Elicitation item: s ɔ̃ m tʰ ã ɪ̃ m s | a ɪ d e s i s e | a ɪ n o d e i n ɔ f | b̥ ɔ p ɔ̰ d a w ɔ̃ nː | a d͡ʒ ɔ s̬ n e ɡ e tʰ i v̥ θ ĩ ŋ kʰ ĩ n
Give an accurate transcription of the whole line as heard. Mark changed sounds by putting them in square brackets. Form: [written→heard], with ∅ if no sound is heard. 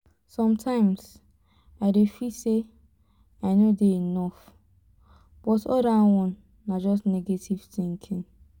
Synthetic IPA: s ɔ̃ m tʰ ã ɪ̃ m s | a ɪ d e [s→f] i s e | a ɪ n o d e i n ɔ f | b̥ ɔ [p→t] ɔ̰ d a w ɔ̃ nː | a d͡ʒ ɔ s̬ n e ɡ e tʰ i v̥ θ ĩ ŋ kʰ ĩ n